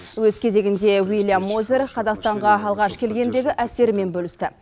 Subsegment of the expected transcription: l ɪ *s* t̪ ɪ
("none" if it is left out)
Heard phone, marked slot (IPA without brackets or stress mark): s